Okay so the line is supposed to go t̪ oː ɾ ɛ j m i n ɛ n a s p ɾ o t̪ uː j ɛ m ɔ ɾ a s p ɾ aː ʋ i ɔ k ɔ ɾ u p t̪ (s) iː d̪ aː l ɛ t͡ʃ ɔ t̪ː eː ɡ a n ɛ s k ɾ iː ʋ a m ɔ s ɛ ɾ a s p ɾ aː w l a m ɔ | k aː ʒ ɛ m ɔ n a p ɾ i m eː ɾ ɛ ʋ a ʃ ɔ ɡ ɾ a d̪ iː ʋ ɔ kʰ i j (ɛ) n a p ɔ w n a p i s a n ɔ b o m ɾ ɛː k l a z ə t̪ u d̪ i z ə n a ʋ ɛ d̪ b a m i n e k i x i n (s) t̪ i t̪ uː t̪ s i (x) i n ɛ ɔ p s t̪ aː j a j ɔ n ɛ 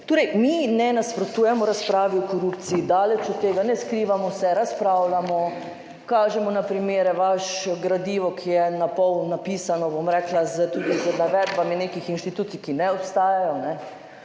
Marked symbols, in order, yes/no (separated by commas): yes, yes, no, no